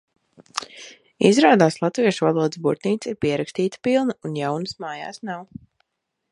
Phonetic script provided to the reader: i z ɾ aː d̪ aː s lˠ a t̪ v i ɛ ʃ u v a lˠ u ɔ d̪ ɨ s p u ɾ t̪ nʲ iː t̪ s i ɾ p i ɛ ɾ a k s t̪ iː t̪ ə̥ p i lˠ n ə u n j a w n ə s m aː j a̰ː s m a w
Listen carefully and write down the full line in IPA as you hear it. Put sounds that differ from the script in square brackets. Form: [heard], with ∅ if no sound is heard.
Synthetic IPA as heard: i z ɾ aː d̪ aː s lˠ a t̪ v i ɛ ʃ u v a lˠ u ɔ d̪ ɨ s [b] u ɾ t̪ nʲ iː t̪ s i ɾ p i ɛ ɾ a k s t̪ iː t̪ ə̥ p i lˠ n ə u n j a w n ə s m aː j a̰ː s [n] a w